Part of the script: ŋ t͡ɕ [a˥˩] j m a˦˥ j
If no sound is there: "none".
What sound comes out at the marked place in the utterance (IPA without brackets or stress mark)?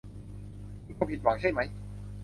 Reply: a˥˩